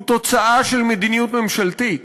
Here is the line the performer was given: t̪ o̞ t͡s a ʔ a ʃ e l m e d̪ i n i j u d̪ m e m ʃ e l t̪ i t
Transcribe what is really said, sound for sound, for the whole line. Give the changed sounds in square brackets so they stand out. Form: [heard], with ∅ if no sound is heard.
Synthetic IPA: t̪ o̞ t͡s a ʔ a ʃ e l m e d̪ i n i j u [t̪] m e m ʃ [a] l t̪ i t